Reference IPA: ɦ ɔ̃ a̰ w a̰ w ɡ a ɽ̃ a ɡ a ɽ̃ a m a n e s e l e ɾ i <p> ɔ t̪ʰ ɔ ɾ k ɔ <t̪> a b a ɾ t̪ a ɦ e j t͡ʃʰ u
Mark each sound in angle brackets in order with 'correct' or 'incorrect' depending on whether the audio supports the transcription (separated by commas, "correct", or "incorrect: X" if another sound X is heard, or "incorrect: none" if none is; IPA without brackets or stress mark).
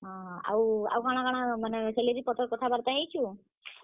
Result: correct, incorrect: t̪ʰ